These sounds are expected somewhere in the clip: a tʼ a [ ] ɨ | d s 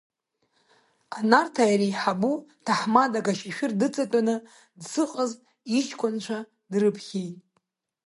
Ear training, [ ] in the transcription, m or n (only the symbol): n